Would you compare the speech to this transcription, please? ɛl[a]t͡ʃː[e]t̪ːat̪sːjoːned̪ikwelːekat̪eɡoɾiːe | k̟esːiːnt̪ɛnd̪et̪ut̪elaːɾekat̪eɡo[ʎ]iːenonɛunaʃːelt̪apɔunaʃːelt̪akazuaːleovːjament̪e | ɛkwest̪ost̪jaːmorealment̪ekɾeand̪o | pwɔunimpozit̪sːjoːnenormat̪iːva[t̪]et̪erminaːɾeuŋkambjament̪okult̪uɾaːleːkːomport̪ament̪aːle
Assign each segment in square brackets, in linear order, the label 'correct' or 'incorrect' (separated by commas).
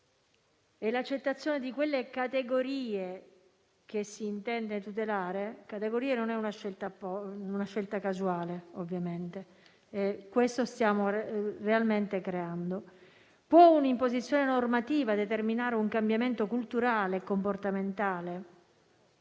correct, correct, incorrect, incorrect